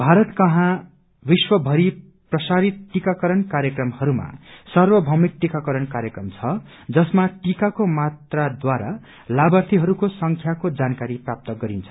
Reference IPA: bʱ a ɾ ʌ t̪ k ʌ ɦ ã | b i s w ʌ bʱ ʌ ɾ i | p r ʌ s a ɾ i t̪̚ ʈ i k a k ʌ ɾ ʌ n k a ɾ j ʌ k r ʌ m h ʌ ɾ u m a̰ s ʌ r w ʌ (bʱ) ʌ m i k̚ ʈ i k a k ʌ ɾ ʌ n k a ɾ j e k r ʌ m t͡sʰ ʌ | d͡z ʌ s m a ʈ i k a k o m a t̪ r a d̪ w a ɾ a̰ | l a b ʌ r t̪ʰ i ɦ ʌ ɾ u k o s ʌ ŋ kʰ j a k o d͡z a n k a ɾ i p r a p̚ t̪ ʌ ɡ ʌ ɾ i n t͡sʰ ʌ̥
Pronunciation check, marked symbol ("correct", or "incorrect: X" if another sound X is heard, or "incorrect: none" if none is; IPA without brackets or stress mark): correct